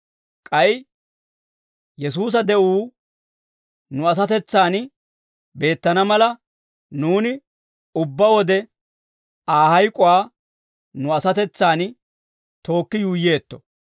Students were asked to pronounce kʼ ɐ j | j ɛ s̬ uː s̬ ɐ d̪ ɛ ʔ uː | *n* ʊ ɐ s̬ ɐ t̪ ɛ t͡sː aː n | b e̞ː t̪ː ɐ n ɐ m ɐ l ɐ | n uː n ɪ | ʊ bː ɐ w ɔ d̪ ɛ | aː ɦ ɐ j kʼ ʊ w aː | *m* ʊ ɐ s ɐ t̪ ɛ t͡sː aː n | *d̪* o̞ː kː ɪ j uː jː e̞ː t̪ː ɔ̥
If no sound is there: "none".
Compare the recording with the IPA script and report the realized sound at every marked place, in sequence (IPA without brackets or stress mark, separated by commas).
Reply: n, n, t̪